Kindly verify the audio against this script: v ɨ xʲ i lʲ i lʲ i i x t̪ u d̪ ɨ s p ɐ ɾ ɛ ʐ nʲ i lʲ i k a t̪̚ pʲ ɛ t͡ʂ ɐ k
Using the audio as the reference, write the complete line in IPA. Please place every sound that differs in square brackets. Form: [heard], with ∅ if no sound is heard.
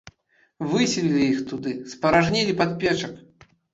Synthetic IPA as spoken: v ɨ [sʲ] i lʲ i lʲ i i x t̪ u d̪ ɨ s p ɐ ɾ [a] ʐ nʲ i lʲ i [p] a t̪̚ pʲ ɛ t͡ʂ ɐ k